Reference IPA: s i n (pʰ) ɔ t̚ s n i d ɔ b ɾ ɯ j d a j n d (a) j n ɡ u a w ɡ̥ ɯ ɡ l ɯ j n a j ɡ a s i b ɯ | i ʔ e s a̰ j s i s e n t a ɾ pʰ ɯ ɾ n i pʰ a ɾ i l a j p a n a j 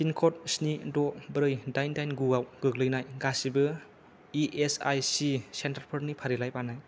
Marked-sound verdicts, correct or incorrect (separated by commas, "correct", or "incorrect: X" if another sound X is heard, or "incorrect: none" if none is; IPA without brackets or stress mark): incorrect: kʰ, correct